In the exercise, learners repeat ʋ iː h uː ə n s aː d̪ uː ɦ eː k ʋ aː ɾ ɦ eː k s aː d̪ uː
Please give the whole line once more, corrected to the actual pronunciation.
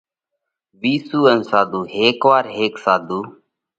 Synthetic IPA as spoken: ʋ iː s uː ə n s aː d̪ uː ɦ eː k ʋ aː ɾ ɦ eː k s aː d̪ uː